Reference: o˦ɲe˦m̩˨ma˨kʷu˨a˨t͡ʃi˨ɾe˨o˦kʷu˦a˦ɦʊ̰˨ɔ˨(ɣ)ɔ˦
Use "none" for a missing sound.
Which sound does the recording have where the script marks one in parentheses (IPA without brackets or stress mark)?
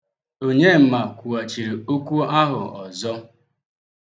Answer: z